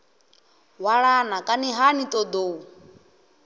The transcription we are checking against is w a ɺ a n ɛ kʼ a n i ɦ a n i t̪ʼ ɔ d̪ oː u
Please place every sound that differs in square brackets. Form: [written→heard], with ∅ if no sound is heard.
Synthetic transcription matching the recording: w a ɺ a n [ɛ→a] kʼ a n i ɦ a n i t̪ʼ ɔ d̪ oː u